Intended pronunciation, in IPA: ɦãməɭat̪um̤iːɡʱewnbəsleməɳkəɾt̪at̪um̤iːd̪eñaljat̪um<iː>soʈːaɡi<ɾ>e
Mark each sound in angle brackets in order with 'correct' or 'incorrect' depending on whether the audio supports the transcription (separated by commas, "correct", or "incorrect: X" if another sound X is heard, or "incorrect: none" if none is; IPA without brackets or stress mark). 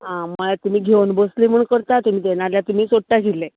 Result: correct, incorrect: l